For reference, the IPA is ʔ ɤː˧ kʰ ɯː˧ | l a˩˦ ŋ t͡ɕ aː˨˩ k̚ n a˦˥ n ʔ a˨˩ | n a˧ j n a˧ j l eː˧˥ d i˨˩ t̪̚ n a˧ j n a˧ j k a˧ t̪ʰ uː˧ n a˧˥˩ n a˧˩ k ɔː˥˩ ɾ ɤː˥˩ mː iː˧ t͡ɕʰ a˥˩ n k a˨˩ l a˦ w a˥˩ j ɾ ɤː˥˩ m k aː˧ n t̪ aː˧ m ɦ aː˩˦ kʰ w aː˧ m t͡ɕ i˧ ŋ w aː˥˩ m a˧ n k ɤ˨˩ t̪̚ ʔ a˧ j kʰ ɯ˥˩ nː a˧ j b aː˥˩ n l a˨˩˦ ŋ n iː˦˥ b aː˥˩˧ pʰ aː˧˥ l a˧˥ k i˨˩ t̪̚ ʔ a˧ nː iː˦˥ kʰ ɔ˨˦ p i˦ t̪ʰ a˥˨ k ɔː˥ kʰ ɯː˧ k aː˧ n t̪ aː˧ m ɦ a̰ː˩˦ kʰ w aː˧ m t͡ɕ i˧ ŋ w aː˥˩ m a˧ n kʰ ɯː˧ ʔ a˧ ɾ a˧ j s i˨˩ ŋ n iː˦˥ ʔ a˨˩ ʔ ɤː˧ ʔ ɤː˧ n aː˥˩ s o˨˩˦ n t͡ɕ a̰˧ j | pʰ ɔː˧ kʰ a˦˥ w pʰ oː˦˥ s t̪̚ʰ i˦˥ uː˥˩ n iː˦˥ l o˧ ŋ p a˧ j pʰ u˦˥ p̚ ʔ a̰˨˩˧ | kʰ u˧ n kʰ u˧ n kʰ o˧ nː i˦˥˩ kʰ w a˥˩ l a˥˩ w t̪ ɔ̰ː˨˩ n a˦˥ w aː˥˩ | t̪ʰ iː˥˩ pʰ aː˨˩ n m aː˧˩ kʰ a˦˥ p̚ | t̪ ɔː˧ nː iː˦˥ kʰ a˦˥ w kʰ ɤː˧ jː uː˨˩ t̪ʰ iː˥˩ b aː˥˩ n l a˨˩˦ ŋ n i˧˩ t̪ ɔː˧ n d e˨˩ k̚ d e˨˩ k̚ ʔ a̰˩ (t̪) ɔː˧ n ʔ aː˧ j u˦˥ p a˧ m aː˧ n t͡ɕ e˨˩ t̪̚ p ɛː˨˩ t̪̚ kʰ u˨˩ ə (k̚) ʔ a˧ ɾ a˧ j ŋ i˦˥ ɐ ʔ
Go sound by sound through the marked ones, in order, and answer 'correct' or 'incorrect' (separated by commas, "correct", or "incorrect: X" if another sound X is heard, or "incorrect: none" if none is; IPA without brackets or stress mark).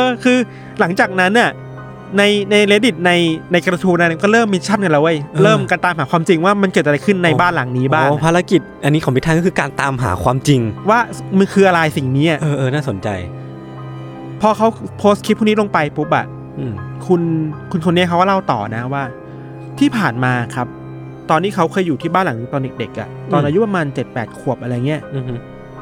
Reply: correct, incorrect: p̚